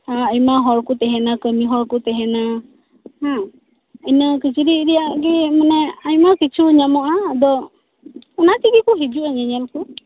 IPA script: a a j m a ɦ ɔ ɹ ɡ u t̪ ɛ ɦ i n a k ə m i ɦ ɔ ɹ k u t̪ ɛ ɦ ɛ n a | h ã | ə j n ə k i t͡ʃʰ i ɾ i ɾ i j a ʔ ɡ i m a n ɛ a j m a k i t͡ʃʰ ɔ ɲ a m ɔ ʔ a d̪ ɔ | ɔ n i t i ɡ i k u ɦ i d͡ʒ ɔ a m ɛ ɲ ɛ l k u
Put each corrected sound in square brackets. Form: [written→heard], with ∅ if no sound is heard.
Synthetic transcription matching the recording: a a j m a ɦ ɔ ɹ [ɡ→k] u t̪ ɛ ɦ [i→ɛ] n a k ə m i ɦ ɔ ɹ k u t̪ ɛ ɦ ɛ n a | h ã | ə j n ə k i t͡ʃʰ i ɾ i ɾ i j a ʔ ɡ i m a n ɛ a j m a k i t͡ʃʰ [ɔ→u] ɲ a m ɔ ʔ a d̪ ɔ | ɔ n [i→a] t i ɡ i k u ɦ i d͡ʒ [ɔ→u] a [m→ɲ] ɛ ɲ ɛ l k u